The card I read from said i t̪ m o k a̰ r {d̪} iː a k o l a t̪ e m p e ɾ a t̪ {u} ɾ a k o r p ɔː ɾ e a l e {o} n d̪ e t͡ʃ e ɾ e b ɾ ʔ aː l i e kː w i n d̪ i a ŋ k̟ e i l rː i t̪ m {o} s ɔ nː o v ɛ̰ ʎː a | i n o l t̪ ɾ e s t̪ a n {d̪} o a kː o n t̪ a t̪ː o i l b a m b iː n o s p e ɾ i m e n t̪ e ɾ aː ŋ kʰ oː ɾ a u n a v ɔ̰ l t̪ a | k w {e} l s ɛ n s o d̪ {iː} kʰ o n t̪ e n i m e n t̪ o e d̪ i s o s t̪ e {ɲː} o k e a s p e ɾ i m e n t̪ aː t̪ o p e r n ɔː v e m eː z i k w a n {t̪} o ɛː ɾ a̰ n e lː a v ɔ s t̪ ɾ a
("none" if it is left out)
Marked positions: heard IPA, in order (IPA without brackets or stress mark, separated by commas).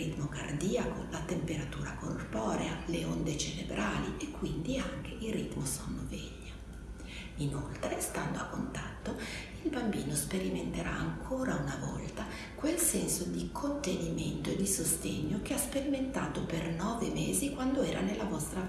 d̪, uː, o, o, d̪, e, i, ɲː, d̪